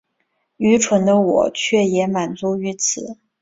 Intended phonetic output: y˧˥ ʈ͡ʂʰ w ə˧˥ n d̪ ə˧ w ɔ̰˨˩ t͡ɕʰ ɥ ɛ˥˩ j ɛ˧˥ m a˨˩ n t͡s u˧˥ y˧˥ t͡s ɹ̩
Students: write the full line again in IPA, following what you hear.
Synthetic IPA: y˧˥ ʈ͡ʂʰ w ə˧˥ n d̪ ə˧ w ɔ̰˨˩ t͡ɕʰ ɥ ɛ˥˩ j ɛ˧˥ m a˨˩ n t͡s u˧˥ y˧˥ t͡sʰ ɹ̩